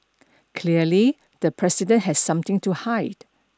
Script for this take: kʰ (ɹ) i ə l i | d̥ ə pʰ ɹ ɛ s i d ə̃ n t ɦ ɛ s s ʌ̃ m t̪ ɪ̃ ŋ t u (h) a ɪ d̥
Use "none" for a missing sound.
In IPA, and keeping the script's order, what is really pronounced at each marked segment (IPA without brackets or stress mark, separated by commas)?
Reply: l, h